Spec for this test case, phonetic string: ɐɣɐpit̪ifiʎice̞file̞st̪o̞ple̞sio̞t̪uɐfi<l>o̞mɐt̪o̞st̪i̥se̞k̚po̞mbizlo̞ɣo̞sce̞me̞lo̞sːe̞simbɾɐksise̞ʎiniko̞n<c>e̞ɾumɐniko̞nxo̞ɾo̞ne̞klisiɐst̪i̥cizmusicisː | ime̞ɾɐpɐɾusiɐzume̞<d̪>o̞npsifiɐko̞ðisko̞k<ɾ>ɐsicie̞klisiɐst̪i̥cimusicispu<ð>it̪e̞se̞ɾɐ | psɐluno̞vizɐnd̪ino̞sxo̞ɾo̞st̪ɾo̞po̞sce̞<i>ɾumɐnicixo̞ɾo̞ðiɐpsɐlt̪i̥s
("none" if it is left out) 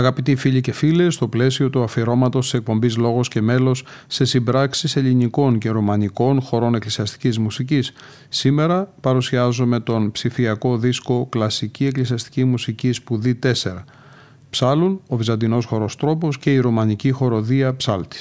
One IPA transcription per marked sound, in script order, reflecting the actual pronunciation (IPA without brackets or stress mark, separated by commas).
ɾ, c, t̪, l, ð, i